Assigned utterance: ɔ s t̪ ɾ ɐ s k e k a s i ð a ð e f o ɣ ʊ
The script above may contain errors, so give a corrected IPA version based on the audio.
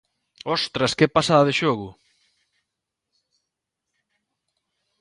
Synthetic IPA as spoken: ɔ s t̪ ɾ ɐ s k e p a s a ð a ð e ʃ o ɣ ʊ